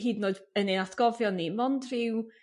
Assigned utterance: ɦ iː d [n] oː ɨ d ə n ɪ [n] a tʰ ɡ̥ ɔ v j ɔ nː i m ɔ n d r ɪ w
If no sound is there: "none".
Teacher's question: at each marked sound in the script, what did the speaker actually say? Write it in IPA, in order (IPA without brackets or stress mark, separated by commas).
n, n